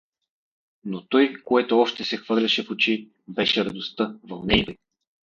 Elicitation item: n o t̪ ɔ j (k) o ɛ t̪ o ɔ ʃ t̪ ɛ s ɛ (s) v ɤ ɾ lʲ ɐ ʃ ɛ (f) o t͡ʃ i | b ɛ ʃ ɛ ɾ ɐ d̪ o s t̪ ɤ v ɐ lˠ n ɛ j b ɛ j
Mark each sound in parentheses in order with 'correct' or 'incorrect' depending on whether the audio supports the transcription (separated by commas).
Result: correct, incorrect, correct